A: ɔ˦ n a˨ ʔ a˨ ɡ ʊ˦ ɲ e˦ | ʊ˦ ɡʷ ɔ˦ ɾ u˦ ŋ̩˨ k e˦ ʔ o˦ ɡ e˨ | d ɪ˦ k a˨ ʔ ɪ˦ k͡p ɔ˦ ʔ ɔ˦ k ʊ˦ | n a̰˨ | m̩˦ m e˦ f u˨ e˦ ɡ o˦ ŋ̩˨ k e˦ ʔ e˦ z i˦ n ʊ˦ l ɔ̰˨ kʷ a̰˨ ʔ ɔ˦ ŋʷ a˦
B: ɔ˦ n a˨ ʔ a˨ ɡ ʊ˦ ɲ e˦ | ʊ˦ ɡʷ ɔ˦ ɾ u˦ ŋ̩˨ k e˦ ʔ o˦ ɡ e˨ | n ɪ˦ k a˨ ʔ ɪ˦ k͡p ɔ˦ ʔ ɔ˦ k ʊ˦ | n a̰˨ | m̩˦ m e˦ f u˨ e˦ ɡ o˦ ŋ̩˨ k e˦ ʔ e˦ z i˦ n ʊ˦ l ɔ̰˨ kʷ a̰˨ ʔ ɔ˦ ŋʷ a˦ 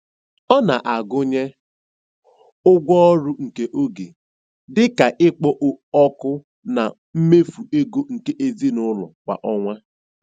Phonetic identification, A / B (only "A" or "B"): A